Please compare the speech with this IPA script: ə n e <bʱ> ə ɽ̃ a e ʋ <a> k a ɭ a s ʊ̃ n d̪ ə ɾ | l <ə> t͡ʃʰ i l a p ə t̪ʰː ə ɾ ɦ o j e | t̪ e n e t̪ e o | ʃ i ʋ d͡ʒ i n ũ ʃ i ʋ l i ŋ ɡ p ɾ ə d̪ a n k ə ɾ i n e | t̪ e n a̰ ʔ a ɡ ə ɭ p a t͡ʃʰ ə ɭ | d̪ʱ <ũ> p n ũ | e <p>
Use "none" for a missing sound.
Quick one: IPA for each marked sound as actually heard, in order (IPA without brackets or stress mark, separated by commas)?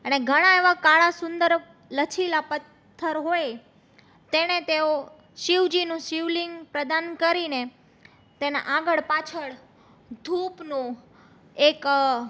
ɡʱ, a, ə, u, k